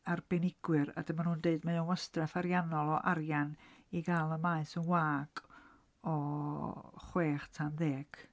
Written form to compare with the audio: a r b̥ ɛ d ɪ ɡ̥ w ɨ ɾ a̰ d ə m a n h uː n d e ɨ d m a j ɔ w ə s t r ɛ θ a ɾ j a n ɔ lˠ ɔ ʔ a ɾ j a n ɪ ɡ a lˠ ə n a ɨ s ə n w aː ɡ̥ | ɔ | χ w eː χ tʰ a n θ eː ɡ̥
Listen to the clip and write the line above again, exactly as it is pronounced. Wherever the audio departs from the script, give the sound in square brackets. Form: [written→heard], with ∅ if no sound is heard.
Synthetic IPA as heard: a r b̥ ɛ [d→n] ɪ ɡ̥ w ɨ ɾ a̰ d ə m a n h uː n d e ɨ d m a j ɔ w ə s t r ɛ [θ→f] a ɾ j a n ɔ lˠ ɔ ʔ a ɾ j a n [ɪ→i] ɡ a lˠ ə [n→m] a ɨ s ə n w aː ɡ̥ | ɔ | χ w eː χ tʰ a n [θ→ð] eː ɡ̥